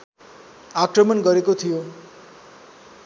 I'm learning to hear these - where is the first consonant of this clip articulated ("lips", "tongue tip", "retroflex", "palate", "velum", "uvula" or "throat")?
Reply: velum